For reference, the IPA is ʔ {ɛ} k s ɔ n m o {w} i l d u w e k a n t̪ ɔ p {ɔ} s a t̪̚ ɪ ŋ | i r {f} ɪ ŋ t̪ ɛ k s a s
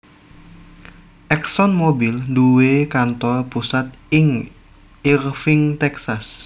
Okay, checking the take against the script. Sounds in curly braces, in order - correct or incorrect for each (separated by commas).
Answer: correct, incorrect, incorrect, correct